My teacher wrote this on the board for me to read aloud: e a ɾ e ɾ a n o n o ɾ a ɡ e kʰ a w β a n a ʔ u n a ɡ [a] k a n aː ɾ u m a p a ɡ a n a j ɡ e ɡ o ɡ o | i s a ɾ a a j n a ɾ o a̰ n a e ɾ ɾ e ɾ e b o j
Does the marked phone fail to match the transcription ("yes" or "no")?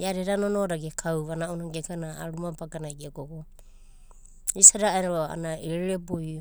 yes